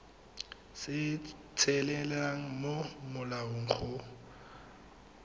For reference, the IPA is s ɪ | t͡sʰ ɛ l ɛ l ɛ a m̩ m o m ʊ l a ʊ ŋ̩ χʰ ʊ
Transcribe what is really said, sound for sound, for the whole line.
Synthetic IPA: s ɪ | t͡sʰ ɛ l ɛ l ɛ a ŋ̩ m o m ʊ l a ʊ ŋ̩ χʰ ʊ